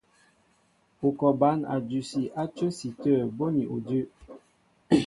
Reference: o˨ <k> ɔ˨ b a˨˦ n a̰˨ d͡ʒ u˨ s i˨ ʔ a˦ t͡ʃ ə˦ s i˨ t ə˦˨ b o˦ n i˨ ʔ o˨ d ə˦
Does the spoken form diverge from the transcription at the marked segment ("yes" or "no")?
no